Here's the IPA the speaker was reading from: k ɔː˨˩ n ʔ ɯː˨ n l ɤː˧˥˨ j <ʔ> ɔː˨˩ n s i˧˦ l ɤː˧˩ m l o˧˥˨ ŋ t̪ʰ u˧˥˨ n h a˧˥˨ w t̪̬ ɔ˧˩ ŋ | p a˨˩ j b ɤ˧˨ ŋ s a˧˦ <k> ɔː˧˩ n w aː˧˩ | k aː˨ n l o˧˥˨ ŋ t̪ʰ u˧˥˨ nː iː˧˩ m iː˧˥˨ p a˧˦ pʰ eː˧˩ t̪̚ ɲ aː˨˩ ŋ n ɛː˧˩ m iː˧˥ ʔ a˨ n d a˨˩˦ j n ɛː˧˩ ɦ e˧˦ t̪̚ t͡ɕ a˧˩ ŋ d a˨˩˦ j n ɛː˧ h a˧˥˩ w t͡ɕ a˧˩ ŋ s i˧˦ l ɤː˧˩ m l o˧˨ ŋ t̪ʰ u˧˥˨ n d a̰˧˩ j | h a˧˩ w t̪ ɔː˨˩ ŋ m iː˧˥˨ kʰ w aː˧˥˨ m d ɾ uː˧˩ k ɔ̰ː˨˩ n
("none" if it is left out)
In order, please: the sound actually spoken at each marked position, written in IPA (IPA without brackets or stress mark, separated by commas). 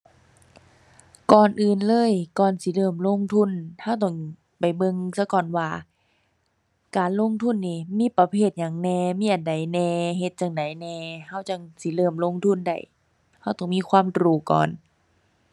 k, k